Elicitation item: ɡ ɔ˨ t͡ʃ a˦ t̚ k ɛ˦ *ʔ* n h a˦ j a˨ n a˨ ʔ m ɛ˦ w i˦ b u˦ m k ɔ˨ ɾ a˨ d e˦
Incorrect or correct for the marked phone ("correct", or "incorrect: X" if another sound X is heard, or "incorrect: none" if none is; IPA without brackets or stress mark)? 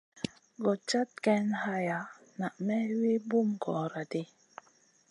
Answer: incorrect: none